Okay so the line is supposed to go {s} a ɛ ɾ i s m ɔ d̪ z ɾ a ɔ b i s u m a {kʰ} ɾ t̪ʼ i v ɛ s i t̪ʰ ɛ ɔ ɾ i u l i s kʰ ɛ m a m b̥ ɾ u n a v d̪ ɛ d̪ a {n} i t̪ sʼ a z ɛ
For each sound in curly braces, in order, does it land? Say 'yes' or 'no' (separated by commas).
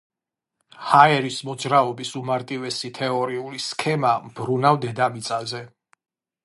no, no, no